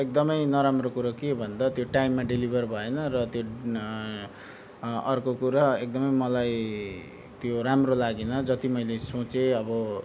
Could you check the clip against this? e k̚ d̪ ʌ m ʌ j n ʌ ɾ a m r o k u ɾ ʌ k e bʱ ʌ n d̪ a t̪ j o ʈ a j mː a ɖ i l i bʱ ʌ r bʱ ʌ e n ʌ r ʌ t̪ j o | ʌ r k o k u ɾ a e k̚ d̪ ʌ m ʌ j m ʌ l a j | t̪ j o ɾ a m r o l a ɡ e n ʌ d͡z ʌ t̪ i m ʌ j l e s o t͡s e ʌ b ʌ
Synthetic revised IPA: e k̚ d̪ ʌ m ʌ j n ʌ ɾ a m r o k u ɾ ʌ k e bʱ ʌ n d̪ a t̪ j o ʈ a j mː a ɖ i l i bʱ ʌ r bʱ ʌ e n ʌ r ʌ t̪ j o | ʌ r k o k u ɾ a e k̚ d̪ ʌ m ʌ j m ʌ l a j | t̪ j o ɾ a m r o l a ɡ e n ʌ d͡z ʌ t̪ i m ʌ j l e s o t͡s e ʌ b ʌ

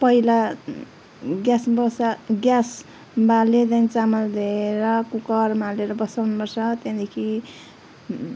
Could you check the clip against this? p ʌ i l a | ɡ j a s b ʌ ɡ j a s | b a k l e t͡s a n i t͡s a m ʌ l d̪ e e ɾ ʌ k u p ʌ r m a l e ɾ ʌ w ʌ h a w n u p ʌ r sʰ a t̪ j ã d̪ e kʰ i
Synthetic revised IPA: p ʌ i l a | ɡ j a s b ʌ ɡ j a s | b a l e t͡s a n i t͡s a m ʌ l d̪ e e ɾ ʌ k u k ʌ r m a l e ɾ ʌ b ʌ s a w n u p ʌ r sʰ ʌ t̪ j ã d̪ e kʰ i

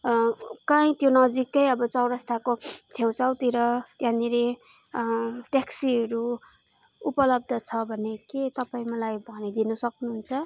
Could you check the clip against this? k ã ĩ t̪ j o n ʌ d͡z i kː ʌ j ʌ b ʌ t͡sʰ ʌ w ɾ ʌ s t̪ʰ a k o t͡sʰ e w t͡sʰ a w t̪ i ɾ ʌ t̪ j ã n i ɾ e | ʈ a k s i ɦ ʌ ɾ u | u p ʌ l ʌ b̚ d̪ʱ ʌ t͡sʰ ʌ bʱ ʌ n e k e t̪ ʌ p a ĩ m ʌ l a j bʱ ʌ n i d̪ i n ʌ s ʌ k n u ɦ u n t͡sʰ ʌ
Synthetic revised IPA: k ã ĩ t̪ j o n ʌ d͡z i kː ʌ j ʌ b ʌ t͡s ʌ w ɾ ʌ s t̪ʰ a k o t͡sʰ e w t͡s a w t̪ i ɾ ʌ t̪ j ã n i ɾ e | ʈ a k s i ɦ ʌ ɾ u | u p ʌ l ʌ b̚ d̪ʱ ʌ t͡sʰ ʌ bʱ ʌ n e k e t̪ ʌ p a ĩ m ʌ l a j bʱ ʌ n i d̪ i n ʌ s ʌ k n u ɦ u n t͡sʰ ʌ

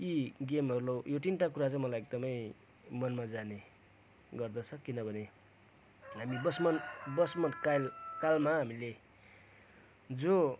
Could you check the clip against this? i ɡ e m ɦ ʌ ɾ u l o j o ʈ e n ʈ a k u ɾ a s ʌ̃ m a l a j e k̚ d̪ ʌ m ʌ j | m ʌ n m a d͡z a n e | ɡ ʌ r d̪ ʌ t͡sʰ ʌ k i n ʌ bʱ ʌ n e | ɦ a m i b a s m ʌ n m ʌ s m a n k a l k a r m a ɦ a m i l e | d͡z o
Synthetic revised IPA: i ɡ e m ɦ ʌ ɾ u l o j o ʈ i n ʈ a k u ɾ a t͡s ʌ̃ m ʌ l a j e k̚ d̪ ʌ m ʌ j | m ʌ n m a d͡z a n e | ɡ ʌ r d̪ ʌ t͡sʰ ʌ k i n ʌ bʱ ʌ n e | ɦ a m i b ʌ s m ʌ n b ʌ s m ʌ n k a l k a l m a ɦ a m i l e | d͡z o

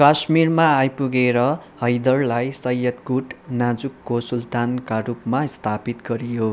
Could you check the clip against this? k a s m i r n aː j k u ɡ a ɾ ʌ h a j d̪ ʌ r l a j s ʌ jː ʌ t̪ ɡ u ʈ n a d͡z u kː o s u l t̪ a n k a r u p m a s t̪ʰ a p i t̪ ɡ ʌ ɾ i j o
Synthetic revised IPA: k a s m i r m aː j p u ɡ e ɾ ʌ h ʌ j d̪ ʌ r l a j s ʌ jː ʌ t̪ ɡ u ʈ n a d͡z u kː o s u l t̪ a n k a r u p m a s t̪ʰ a p i t̪ ɡ ʌ ɾ i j o

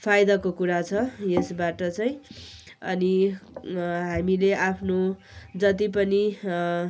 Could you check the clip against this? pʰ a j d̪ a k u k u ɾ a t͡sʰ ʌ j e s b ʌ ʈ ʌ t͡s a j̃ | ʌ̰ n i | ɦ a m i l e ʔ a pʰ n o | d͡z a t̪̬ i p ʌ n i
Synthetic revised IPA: pʰ a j d̪ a k o k u ɾ a t͡sʰ ʌ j e s b a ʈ ʌ t͡s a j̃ | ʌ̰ n i | ɦ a m i l e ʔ a pʰ n o | d͡z ʌ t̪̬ i p ʌ n i

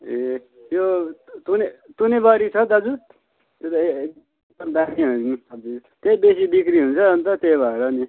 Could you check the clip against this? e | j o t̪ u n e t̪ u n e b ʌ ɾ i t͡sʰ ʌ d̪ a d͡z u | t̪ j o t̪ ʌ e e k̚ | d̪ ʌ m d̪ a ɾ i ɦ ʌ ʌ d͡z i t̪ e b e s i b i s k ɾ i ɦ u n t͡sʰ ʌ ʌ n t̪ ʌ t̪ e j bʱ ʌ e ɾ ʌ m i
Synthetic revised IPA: e | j o t̪ u n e t̪ u n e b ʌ ɾ i t͡sʰ ʌ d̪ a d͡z u | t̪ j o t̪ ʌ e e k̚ | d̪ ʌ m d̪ a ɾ i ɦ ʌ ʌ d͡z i t̪ e b e s i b i k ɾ i ɦ u n t͡sʰ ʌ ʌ n t̪ ʌ t̪ e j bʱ ʌ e ɾ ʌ n i

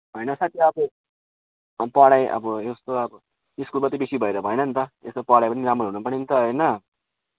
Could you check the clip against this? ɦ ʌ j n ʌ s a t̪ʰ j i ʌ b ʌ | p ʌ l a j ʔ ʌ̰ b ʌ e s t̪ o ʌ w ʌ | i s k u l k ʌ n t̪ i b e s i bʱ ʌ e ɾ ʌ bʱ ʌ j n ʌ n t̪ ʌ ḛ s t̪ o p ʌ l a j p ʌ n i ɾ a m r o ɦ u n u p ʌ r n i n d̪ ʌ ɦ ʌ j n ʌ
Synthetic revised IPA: ɦ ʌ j n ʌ s a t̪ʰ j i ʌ b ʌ | p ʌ ɽ a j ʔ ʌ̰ b ʌ e s t̪ o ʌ b ʌ | i s k u l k ʌ t̪ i b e s i bʱ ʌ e ɾ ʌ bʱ ʌ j n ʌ n t̪ ʌ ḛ s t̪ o p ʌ ɽ a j p ʌ n i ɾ a m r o ɦ u n u p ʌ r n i n t̪ ʌ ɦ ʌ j n ʌ

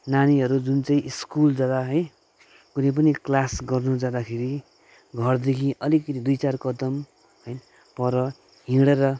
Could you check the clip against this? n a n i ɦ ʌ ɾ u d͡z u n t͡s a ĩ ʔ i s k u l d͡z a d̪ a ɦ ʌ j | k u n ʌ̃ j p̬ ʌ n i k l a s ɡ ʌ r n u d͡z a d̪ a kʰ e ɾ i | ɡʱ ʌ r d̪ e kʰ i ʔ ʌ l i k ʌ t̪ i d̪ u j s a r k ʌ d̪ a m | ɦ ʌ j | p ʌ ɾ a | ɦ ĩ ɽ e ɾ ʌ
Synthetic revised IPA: n a n i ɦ ʌ ɾ u d͡z u n t͡s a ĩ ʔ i s k u l d͡z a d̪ a ɦ ʌ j | k u n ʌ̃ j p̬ ʌ n i k l a s ɡ ʌ r n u d͡z a d̪ a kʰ e ɾ i | ɡʱ ʌ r d̪ e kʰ i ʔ ʌ l i k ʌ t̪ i d̪ u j t͡s a r k ʌ d̪ ʌ m | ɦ ʌ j | p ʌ ɾ ʌ | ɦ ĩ ɽ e ɾ ʌ

